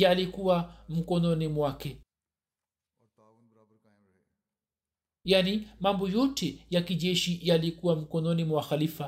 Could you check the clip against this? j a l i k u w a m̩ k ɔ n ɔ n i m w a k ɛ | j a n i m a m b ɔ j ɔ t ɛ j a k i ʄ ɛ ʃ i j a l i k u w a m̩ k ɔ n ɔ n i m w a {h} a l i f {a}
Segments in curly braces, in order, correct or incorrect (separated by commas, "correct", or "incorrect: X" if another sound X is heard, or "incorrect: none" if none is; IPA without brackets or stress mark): incorrect: x, correct